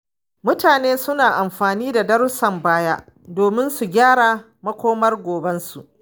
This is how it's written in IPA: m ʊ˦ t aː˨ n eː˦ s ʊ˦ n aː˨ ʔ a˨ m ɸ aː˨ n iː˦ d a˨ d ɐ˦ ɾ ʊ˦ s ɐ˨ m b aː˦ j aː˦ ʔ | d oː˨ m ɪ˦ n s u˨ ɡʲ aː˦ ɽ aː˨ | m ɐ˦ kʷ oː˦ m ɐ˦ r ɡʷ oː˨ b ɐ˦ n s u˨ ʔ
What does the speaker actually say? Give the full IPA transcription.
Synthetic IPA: m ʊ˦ t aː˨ n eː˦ s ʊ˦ n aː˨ ʔ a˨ m ɸ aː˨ n iː˦ d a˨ d ɐ˦ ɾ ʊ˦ s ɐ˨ m b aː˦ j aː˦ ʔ | d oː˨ m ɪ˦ n s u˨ ɡʲ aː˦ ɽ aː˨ | m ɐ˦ kʷ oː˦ m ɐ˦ r ɡʷ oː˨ b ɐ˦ n s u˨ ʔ